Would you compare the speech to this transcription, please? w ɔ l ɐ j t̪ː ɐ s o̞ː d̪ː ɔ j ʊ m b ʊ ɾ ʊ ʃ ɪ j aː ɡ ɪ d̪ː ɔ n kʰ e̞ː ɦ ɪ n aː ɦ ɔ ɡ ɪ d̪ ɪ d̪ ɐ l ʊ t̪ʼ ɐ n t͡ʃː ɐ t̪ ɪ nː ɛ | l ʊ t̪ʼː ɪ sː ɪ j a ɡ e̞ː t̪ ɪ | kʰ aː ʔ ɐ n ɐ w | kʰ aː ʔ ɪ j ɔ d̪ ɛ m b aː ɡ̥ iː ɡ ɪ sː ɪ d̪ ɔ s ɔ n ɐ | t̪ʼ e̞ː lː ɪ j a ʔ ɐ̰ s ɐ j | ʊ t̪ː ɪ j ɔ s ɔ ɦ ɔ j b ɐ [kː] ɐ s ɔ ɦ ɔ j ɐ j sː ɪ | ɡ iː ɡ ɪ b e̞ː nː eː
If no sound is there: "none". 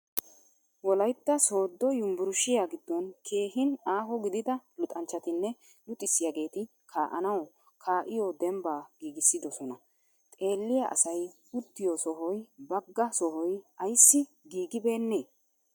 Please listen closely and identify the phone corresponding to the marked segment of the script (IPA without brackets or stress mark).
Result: ɡː